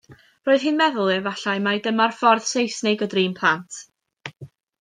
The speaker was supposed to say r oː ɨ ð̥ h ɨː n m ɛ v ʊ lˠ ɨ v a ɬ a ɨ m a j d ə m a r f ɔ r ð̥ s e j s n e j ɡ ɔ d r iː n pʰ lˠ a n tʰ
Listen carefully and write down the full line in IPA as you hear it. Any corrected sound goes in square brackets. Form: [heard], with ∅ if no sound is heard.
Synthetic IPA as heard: r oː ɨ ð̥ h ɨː n m ɛ [ð] ʊ lˠ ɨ v a ɬ a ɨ m a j d ə m a r f ɔ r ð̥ s e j s n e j ɡ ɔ d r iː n pʰ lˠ a n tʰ